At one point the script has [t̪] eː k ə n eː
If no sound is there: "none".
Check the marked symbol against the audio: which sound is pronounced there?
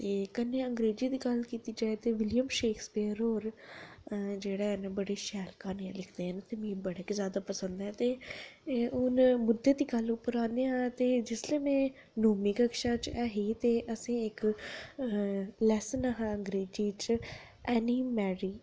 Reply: t̪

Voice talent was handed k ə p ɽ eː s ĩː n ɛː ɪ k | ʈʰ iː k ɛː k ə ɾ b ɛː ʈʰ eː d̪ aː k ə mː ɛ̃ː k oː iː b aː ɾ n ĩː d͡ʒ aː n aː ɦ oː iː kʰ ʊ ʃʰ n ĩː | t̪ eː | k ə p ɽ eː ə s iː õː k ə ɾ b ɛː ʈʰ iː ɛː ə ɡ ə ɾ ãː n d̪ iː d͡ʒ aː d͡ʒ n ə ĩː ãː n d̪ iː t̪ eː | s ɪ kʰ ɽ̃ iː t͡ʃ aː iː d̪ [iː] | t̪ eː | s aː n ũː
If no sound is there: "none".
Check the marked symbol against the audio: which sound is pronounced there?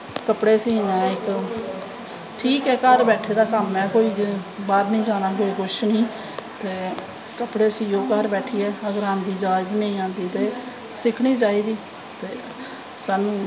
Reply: iː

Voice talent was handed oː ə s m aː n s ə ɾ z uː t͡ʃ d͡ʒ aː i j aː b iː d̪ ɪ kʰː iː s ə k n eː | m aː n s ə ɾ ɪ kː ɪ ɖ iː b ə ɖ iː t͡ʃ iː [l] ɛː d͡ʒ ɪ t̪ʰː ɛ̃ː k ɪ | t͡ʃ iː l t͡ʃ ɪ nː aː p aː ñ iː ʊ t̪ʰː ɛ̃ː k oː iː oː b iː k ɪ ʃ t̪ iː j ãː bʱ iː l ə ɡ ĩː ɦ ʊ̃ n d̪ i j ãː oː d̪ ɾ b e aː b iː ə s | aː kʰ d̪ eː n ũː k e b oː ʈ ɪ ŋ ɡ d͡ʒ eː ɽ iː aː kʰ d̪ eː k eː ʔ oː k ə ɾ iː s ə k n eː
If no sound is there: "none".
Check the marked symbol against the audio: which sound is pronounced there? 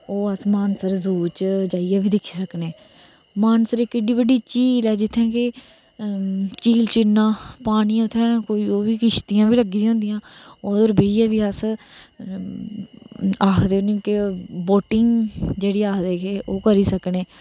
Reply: l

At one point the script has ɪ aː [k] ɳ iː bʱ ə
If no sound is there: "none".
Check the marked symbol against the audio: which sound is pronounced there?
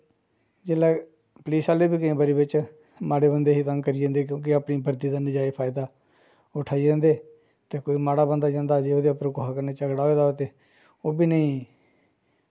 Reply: p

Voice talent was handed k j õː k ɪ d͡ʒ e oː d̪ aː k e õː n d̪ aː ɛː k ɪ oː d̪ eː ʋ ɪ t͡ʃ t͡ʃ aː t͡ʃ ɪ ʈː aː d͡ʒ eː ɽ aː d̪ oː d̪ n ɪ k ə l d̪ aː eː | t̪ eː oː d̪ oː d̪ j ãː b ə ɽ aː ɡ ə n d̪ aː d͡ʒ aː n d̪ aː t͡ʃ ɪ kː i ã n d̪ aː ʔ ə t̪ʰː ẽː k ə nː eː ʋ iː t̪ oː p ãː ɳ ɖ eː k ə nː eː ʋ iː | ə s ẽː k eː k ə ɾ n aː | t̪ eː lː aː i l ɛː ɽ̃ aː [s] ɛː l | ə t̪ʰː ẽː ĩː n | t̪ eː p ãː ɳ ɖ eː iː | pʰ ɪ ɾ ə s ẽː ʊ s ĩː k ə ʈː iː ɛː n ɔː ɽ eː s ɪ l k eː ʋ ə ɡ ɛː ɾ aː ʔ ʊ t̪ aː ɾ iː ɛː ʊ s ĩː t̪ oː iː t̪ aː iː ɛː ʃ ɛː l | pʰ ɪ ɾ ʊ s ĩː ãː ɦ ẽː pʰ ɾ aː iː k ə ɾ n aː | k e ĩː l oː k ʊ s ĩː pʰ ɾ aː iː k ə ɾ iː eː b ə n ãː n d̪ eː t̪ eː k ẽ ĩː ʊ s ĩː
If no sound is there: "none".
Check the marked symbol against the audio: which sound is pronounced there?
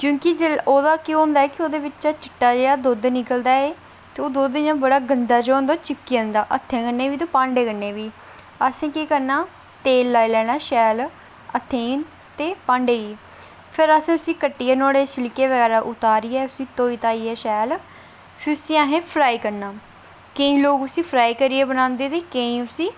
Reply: ʃ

